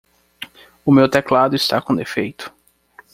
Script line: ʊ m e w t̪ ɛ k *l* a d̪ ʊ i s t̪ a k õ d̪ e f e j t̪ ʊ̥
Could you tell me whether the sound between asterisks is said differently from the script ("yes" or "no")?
no